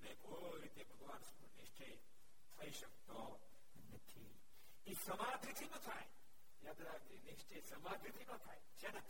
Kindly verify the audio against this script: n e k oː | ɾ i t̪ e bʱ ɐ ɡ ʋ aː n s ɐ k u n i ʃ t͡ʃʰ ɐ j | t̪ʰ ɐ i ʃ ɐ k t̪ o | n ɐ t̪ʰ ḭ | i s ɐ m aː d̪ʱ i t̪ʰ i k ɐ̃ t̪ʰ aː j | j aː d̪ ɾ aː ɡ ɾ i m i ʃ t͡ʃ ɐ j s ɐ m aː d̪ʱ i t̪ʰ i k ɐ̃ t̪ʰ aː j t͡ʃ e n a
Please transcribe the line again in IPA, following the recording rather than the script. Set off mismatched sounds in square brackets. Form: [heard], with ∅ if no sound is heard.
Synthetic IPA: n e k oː | ɾ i t̪ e bʱ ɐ ɡ ʋ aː n s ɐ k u n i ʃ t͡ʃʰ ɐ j | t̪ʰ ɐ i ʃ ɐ k t̪ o | n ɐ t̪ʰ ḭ | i s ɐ m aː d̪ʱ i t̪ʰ i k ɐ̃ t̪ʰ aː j | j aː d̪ ɾ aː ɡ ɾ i [n] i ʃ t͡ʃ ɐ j s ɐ m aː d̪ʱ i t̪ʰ i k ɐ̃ t̪ʰ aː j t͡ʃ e n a